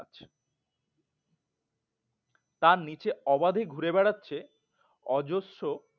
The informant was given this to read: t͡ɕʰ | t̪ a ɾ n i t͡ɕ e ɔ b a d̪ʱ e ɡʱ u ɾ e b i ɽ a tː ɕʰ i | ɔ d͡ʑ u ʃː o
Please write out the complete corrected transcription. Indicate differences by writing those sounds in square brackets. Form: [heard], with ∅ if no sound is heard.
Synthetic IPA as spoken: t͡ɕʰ | t̪ a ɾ n i t͡ɕ e ɔ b a d̪ʱ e ɡʱ u ɾ e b [ɛ] ɽ a tː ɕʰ [e] | ɔ d͡ʑ [o] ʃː o